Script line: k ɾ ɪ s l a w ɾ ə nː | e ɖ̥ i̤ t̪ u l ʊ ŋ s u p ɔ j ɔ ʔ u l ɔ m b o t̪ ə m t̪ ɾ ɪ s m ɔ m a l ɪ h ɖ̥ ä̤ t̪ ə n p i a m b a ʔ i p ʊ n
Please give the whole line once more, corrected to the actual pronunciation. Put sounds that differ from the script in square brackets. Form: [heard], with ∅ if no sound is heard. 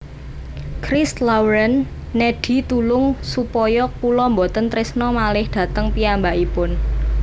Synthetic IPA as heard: k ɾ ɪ s l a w ɾ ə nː | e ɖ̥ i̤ t̪ u l ʊ ŋ s u p ɔ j ɔ [k] u l ɔ m b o t̪ ə [n] t̪ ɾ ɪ s [n] ɔ m a l ɪ h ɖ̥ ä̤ t̪ ə [ŋ] p i a m b a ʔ i p ʊ n

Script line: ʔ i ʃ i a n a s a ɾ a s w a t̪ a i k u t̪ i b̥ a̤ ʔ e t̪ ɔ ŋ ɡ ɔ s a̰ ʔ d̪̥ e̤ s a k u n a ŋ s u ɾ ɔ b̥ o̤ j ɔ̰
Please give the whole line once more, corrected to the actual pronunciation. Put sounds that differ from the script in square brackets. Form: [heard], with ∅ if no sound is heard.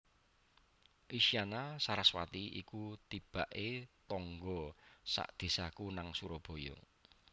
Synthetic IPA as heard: ʔ i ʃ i a n a s a ɾ a s w a t̪ [i] i k u t̪ i b̥ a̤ ʔ e t̪ ɔ ŋ ɡ ɔ s a̰ ʔ d̪̥ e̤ s a k u n a ŋ s u ɾ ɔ b̥ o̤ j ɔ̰

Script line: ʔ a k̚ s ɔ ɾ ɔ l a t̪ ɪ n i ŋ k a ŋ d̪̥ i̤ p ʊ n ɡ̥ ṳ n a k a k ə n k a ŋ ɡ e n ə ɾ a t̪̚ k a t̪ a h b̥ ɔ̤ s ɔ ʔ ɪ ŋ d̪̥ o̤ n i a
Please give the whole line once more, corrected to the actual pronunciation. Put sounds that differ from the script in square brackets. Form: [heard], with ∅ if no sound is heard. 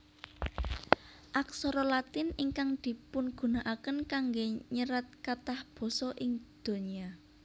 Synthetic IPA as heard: ʔ a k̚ s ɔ ɾ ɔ l a t̪ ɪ n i ŋ k a ŋ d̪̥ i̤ p ʊ n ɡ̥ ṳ n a [ʔ] a k ə n k a ŋ ɡ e [ɲ] ə ɾ a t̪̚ k a t̪ a h b̥ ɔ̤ s ɔ ʔ ɪ ŋ d̪̥ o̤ n i a

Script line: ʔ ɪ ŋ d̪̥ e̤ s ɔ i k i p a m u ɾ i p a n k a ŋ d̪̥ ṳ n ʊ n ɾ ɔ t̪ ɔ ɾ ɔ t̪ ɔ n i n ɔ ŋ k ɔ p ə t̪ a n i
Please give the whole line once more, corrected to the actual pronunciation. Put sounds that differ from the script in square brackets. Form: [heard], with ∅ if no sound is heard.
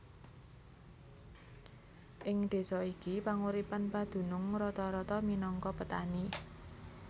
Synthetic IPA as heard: ʔ ɪ ŋ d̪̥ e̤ s ɔ i k i p a [ŋ] u ɾ i p a n [p] a [∅] d̪̥ ṳ n ʊ [ŋ] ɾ ɔ t̪ ɔ ɾ ɔ t̪ ɔ [m] i n ɔ ŋ k ɔ p ə t̪ a n i

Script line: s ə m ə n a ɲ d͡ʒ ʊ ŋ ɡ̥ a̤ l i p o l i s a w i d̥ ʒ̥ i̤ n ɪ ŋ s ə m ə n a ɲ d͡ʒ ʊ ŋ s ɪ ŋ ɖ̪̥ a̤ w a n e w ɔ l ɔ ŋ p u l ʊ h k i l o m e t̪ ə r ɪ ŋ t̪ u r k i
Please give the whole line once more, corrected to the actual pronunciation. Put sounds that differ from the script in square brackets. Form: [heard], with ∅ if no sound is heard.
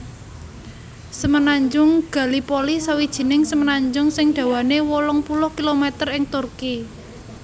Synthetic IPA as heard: s ə m ə n a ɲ d͡ʒ ʊ ŋ ɡ̥ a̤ l i p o l i s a w i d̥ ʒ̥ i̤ n ɪ ŋ s ə m ə n a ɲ d͡ʒ ʊ ŋ s ɪ ŋ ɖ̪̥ a̤ w a n e w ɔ l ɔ ŋ p u l ʊ h k i l o m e t̪ ə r ɪ ŋ t̪ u r k i

